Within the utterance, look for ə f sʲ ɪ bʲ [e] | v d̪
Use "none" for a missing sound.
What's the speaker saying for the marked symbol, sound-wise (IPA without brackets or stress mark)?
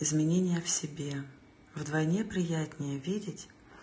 e